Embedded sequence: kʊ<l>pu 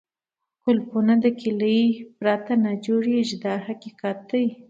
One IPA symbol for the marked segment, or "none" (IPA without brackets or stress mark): l